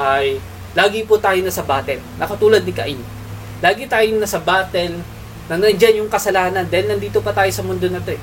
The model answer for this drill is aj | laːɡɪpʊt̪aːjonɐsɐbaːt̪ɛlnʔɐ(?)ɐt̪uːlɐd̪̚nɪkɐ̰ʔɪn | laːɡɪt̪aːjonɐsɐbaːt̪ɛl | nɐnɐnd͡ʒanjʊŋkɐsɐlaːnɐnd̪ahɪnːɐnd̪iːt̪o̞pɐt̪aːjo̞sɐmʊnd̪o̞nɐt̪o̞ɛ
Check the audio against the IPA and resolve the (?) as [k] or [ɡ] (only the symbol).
k